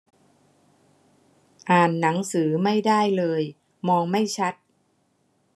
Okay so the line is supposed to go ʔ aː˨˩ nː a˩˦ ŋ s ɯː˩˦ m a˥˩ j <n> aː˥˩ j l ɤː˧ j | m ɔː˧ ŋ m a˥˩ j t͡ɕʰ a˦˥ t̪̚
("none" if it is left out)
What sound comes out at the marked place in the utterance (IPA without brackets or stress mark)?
d